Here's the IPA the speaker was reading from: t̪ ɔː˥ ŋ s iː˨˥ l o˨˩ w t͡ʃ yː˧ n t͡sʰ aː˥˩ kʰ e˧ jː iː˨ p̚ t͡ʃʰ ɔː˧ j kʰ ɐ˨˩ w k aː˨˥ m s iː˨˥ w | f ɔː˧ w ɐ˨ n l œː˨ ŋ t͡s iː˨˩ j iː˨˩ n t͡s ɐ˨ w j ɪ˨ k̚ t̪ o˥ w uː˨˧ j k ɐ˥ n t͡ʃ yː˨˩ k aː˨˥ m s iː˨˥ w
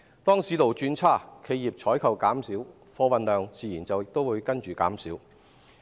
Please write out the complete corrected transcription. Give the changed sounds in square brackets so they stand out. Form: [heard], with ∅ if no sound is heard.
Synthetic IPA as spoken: t̪ ɔː˥ ŋ s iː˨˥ l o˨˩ w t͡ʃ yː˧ n t͡sʰ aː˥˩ kʰ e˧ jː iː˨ p̚ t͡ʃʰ [ɔː˨˥] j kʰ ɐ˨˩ w k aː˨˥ m s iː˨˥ w | f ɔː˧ w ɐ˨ n l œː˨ ŋ t͡s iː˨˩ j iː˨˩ n t͡s ɐ˨ w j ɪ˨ k̚ t̪ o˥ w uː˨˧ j k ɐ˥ n t͡ʃ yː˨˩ k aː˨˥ m s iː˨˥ w

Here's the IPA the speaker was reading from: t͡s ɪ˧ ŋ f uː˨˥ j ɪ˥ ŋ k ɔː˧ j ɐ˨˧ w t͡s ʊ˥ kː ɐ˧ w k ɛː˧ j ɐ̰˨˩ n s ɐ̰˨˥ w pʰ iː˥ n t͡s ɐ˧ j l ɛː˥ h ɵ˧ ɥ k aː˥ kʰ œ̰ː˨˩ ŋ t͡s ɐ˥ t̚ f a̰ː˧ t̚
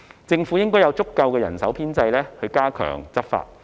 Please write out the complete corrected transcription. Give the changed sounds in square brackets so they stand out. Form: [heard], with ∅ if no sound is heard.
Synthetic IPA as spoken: t͡s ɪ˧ ŋ f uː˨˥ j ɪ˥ ŋ k [ɔː˥] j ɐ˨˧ w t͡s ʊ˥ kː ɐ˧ w k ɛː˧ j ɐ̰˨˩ n s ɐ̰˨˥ w pʰ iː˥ n t͡s ɐ˧ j l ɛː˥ h ɵ˧ ɥ k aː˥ kʰ œ̰ː˨˩ ŋ t͡s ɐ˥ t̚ f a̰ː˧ t̚

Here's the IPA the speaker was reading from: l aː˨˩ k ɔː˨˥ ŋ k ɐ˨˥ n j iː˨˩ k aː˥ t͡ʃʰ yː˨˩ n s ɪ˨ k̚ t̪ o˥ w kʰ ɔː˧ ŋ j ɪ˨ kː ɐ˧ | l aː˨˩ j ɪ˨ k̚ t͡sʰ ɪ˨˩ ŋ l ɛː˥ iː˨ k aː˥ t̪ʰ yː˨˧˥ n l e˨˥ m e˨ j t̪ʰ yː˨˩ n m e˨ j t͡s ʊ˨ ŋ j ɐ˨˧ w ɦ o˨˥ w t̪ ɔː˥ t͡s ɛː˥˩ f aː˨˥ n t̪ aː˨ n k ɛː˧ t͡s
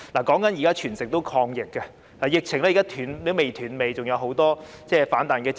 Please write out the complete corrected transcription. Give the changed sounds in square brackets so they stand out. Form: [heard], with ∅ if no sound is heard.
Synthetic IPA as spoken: l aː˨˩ k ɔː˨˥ ŋ k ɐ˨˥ n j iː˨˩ k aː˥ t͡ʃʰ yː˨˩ n s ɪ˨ k̚ t̪ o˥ w kʰ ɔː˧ ŋ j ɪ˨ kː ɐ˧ | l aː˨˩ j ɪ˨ k̚ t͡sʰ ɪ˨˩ ŋ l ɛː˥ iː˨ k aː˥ t̪ʰ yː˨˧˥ n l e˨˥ m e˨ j t̪ʰ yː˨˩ n m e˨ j t͡s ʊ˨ ŋ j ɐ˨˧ w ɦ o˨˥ w t̪ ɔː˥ t͡s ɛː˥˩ f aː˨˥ n t̪ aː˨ n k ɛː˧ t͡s

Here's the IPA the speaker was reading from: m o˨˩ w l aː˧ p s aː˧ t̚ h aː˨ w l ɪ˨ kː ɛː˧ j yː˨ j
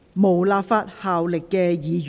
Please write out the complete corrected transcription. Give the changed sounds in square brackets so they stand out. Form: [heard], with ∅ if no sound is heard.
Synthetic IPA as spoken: m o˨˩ w l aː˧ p [f] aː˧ t̚ h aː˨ w l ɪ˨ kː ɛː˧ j [iː˨] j

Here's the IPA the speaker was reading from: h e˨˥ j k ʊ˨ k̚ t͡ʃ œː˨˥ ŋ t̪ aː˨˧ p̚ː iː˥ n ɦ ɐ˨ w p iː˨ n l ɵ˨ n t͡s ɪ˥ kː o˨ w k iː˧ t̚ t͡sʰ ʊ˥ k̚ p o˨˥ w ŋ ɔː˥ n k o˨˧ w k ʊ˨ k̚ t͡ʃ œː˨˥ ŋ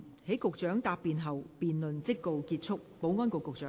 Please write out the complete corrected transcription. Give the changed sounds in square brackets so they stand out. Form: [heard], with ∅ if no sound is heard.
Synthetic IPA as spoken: h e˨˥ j k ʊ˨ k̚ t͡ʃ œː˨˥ ŋ t̪ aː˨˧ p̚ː [iː˨] n ɦ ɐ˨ w p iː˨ n l ɵ˨ n t͡s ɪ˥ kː o˨ w k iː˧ t̚ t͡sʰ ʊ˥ k̚ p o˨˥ w ŋ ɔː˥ n k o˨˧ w k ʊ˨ k̚ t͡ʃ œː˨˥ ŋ

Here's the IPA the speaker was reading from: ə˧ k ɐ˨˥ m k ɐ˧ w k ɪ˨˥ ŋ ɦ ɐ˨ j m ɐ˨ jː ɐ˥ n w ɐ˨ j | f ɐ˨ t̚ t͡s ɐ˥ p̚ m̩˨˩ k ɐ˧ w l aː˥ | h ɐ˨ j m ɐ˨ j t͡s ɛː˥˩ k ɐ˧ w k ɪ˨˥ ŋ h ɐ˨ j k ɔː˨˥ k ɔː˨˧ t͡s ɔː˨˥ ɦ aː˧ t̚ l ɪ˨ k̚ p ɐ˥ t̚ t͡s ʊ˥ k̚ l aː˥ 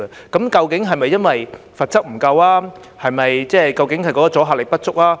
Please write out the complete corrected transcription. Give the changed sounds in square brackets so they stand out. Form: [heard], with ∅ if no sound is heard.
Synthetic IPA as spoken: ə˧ k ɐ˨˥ m k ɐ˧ w k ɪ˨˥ ŋ ɦ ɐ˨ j m ɐ˨ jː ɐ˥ n w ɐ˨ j | f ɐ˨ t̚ t͡s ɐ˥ [k̚] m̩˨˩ k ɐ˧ w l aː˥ | h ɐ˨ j m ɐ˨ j t͡s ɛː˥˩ k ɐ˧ w k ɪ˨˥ ŋ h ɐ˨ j k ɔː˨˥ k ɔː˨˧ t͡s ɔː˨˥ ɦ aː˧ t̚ l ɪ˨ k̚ p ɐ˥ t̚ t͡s ʊ˥ k̚ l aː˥

